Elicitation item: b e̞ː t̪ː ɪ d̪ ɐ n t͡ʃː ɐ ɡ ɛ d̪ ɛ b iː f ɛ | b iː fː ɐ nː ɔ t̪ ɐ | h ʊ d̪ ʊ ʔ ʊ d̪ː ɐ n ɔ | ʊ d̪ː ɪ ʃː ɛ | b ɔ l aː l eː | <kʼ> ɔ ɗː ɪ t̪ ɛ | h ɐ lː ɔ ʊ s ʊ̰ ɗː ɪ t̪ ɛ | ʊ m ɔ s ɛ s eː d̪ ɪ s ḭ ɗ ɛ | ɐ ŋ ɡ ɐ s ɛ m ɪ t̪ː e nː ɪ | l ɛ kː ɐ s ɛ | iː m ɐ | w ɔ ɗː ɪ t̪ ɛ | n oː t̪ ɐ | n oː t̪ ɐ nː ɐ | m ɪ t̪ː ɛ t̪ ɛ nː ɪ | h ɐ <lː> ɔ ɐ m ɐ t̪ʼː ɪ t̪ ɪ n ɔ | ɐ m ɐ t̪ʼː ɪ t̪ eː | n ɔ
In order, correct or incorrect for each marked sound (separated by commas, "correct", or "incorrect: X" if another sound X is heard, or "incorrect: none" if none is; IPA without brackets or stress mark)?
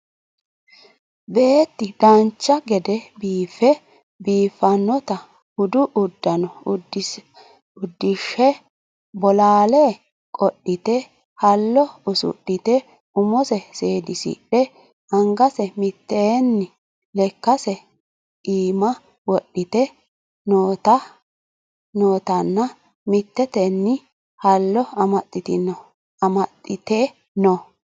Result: correct, correct